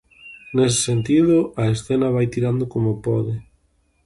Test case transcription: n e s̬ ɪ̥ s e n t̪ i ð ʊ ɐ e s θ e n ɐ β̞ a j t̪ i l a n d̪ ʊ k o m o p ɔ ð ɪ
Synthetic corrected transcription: n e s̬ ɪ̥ s e n t̪ i ð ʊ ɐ e s θ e n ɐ β̞ a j t̪ i ɾ a n d̪ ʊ k o m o p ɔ ð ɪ